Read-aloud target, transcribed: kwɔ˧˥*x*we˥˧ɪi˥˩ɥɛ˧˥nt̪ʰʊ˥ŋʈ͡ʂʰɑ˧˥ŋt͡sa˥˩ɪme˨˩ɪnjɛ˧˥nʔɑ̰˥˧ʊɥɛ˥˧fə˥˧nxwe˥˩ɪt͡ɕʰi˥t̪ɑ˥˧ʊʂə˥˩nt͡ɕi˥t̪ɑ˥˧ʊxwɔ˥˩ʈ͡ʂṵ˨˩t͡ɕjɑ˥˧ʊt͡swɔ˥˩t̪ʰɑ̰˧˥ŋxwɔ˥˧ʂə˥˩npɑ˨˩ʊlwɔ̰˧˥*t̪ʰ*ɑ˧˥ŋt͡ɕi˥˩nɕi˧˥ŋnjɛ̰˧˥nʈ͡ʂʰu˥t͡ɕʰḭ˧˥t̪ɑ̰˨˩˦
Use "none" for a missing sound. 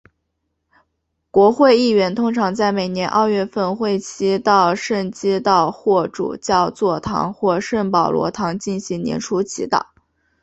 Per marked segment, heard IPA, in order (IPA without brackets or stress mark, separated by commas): x, t̪ʰ